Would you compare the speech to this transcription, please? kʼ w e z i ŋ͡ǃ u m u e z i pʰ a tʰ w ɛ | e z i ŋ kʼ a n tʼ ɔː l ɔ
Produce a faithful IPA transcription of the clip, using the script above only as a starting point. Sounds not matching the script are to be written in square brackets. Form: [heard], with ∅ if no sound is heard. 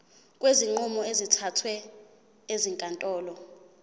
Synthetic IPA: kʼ w e z i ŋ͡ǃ u m [ɔ] e z i [tʰ] a tʰ w ɛ | e z i ŋ kʼ a n tʼ ɔː l ɔ